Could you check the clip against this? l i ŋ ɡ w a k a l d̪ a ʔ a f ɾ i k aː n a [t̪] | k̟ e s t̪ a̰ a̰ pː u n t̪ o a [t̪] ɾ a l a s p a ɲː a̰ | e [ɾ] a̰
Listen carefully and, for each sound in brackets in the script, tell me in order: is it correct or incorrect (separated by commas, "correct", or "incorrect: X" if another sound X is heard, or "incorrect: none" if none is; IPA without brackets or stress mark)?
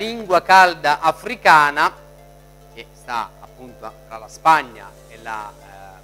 incorrect: none, correct, incorrect: l